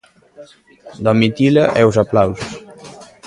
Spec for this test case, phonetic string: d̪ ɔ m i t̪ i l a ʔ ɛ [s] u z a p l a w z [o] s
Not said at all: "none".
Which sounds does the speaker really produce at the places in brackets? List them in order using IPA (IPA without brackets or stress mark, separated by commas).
none, u